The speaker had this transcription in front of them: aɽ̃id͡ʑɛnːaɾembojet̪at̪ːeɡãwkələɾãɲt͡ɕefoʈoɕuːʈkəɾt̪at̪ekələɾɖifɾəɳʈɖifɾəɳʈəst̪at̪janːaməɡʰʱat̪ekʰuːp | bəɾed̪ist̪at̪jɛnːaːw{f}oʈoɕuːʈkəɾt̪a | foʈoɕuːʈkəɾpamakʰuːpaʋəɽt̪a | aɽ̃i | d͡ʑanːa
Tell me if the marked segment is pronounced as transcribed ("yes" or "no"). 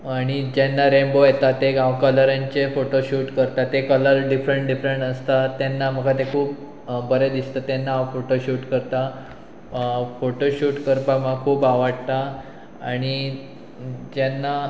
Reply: yes